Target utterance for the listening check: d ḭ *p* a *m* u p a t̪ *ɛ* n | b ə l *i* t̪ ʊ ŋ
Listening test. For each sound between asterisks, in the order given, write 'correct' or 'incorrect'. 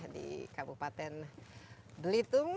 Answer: incorrect: k, incorrect: b, correct, correct

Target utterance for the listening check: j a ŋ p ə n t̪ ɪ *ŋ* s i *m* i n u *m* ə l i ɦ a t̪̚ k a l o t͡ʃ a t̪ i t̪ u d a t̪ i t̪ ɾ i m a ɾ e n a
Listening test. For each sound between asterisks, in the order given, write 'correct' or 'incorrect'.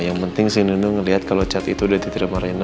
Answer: correct, incorrect: n, incorrect: ŋ

